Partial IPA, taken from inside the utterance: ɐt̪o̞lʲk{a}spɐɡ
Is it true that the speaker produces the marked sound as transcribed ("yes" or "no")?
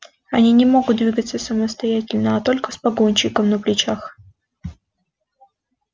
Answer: no